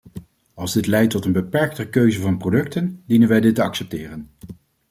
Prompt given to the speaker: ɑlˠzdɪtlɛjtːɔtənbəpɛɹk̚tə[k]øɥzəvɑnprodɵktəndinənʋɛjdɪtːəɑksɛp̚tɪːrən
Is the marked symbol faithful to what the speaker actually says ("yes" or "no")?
yes